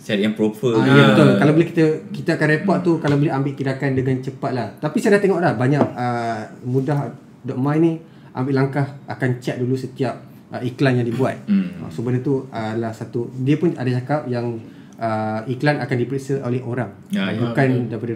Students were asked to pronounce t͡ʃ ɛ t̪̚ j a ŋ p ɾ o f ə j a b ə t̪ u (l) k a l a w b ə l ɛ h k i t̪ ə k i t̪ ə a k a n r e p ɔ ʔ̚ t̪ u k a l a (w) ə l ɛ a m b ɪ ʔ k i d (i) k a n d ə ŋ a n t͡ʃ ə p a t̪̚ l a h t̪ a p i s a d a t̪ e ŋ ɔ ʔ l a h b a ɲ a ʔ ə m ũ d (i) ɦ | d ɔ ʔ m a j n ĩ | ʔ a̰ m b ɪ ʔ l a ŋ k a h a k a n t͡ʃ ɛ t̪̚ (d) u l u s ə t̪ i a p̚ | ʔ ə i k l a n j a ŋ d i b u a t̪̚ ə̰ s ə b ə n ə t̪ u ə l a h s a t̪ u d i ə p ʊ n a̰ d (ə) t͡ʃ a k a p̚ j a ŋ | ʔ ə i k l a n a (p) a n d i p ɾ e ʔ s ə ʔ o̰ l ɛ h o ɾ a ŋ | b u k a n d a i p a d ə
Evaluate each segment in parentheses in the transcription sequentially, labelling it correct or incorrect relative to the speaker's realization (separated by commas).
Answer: correct, incorrect, incorrect, incorrect, correct, incorrect, incorrect